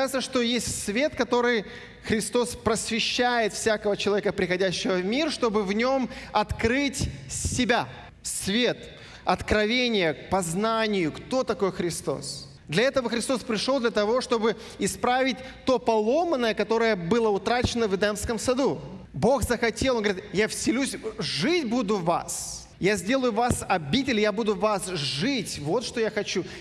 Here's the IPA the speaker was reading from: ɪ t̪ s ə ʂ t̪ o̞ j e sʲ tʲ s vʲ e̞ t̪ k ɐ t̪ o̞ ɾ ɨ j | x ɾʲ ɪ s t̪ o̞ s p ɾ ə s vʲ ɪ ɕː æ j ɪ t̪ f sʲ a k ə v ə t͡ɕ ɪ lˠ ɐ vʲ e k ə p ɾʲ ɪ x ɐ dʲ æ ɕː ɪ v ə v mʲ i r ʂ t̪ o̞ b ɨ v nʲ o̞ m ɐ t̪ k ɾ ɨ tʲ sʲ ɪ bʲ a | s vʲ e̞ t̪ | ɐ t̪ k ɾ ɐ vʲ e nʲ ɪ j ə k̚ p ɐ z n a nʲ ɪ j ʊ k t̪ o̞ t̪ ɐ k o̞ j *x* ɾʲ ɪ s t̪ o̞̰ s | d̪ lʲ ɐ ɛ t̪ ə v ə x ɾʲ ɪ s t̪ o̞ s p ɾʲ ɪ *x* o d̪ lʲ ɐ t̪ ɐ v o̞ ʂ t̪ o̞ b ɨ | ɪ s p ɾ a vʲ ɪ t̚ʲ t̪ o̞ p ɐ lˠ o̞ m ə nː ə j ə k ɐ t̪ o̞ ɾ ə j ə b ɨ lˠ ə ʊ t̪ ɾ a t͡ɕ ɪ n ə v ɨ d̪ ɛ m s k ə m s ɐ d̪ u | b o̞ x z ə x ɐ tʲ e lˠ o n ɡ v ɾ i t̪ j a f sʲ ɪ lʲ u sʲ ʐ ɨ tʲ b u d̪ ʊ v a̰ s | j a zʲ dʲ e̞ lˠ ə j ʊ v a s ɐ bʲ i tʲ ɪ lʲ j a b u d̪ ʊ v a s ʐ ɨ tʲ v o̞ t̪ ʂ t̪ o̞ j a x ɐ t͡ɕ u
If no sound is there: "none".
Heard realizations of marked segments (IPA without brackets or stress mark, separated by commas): x, ʂ